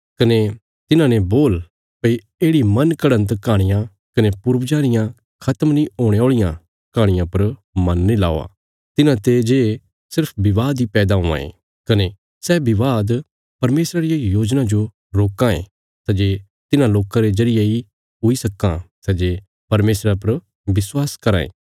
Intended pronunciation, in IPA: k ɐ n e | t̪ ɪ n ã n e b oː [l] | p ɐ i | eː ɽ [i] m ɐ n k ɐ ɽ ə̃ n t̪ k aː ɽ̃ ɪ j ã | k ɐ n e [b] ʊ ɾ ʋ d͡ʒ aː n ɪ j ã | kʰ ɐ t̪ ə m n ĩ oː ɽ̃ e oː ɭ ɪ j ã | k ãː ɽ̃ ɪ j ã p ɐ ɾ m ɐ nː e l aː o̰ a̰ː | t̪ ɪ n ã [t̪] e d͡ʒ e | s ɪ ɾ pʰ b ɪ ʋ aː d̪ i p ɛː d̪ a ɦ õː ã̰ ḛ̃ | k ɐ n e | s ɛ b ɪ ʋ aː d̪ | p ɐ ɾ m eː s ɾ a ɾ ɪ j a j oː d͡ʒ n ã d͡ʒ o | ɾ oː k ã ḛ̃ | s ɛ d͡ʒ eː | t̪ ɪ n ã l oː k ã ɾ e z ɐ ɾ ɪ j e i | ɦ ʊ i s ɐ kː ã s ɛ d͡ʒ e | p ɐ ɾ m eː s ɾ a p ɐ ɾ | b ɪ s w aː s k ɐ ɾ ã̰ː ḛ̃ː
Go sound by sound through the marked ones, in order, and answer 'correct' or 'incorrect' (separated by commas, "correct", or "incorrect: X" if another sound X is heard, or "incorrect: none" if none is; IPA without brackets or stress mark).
correct, correct, incorrect: p, correct